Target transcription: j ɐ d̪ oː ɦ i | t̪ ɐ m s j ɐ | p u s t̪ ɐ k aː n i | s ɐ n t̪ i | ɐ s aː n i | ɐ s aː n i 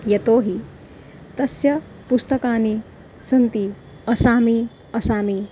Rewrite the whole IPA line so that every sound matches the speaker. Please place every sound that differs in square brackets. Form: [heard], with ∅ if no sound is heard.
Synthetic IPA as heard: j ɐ [t̪] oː ɦ i | t̪ ɐ [∅] s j ɐ | p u s t̪ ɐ k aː n i | s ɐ n t̪ i | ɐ s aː [m] i | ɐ s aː [m] i